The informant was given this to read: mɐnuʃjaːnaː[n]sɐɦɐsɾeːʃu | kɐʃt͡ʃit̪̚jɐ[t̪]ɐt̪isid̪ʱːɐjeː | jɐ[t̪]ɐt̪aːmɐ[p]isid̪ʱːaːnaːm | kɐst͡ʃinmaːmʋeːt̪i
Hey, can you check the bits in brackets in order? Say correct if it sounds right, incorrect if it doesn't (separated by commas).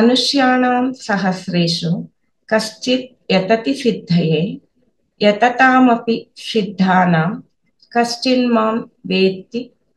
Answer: incorrect, correct, correct, correct